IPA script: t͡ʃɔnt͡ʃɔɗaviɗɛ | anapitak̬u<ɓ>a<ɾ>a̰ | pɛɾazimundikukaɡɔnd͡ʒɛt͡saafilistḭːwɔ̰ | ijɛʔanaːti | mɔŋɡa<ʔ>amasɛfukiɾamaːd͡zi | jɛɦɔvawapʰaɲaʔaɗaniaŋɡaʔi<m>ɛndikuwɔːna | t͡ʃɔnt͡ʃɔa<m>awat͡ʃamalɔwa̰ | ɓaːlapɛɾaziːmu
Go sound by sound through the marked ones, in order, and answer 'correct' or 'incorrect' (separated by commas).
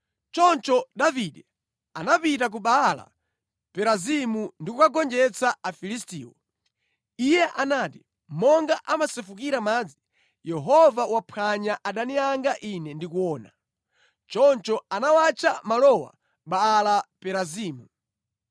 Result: correct, incorrect, correct, incorrect, incorrect